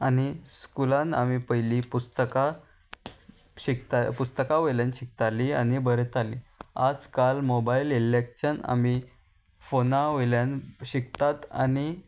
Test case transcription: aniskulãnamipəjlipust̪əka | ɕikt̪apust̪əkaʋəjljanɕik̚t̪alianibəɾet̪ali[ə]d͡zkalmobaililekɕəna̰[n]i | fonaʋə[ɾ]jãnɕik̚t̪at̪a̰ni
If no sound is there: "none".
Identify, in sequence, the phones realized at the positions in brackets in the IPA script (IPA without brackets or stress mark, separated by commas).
a, m, l